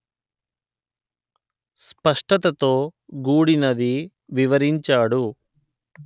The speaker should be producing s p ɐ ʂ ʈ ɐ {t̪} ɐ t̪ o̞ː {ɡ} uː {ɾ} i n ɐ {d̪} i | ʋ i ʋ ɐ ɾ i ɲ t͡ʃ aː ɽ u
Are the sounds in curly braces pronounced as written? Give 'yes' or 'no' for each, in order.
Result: yes, yes, no, yes

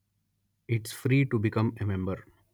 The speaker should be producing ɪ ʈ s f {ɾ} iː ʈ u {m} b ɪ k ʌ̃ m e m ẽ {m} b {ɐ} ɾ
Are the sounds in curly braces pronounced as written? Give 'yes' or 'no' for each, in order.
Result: yes, no, yes, no

